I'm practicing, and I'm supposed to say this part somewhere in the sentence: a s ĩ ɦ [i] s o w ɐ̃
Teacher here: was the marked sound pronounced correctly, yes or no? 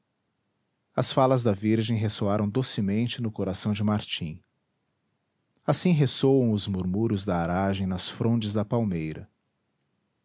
no